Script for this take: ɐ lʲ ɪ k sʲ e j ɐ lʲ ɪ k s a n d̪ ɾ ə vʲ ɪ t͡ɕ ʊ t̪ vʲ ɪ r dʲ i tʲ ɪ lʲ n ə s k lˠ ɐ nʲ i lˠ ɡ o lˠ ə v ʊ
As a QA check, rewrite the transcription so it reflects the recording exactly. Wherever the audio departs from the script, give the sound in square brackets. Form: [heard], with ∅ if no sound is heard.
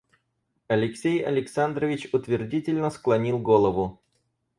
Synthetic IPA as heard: ɐ lʲ ɪ k sʲ e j ɐ lʲ ɪ k s a n d̪ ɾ ə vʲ ɪ t͡ɕ ʊ t̪ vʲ ɪ r dʲ i tʲ ɪ lʲ n ə s k lˠ ɐ nʲ i lˠ ɡ o lˠ ə v ʊ